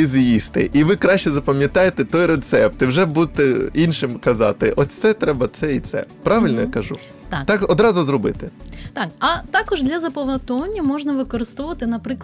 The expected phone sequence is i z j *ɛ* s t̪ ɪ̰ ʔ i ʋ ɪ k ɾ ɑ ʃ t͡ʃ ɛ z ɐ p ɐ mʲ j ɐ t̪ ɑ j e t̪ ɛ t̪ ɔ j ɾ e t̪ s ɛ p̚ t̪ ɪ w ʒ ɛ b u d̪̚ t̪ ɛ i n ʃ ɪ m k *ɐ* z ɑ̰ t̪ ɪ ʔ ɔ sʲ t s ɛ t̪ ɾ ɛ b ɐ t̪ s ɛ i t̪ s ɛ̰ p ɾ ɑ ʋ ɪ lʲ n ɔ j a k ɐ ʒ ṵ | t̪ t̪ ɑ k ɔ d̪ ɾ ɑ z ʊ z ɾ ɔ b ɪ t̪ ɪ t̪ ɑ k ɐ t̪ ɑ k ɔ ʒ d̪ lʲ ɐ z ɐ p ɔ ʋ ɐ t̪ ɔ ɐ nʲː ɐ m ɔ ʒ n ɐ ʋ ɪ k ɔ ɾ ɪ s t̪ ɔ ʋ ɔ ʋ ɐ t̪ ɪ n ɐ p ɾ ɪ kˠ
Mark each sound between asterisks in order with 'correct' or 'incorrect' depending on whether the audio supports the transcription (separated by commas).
incorrect, correct